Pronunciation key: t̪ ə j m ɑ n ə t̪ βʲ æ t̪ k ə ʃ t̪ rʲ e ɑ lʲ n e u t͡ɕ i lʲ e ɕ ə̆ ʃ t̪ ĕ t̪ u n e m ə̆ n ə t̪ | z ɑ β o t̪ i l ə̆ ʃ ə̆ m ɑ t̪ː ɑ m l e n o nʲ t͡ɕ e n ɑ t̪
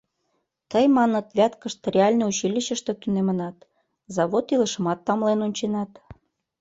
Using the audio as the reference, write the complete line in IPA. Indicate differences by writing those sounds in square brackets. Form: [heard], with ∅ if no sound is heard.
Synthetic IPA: t̪ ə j m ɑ n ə t̪ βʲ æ t̪ k ə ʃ t̪ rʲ e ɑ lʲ n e u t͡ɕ i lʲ [i] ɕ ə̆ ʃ t̪ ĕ t̪ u n e m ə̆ n [ɑ] t̪ | z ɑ β o t̪ i l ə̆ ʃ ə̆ m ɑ t̪ː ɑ m l e n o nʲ t͡ɕ e n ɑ t̪